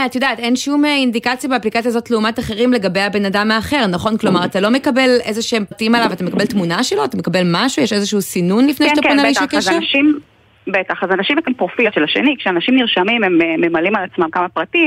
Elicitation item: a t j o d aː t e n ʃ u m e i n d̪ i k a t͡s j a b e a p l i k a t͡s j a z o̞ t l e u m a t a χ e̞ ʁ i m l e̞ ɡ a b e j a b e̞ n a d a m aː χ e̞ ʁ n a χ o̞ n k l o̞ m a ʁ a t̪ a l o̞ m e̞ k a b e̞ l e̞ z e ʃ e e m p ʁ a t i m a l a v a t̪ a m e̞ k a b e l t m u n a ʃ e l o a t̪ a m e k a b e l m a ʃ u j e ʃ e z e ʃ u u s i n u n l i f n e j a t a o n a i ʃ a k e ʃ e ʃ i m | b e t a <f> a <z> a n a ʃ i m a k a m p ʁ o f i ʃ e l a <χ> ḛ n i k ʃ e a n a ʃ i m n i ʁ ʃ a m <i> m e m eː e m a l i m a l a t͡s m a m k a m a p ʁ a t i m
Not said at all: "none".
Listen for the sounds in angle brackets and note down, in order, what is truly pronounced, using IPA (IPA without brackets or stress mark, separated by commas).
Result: χ, z, ʃ, i